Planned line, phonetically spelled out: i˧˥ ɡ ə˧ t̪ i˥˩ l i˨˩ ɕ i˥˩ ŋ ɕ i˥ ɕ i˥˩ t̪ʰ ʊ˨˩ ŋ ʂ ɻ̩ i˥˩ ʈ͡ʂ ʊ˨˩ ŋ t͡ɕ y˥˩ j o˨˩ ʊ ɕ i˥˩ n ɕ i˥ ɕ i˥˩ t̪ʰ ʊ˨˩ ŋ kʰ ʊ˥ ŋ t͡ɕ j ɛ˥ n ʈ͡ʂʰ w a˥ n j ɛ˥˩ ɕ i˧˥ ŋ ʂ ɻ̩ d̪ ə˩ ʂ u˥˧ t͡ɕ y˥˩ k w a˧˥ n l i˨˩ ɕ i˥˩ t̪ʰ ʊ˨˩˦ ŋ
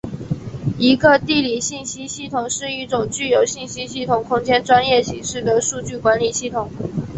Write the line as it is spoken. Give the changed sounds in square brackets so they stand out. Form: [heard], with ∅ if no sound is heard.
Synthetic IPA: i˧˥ ɡ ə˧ t̪ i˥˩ l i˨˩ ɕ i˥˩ [n] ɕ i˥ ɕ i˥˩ t̪ʰ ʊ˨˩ ŋ ʂ ɻ̩ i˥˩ ʈ͡ʂ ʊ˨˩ ŋ t͡ɕ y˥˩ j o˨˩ ʊ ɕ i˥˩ n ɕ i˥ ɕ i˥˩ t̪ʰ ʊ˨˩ ŋ kʰ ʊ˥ ŋ t͡ɕ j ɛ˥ n [ʈ͡ʂ] w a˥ n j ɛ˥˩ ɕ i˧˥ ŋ ʂ ɻ̩ d̪ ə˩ ʂ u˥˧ t͡ɕ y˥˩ k w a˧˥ n l i˨˩ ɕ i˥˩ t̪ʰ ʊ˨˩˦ ŋ